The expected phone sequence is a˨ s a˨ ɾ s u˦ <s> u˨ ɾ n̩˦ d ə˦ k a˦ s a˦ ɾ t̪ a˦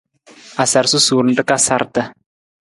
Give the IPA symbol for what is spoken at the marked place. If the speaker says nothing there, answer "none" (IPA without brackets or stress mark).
s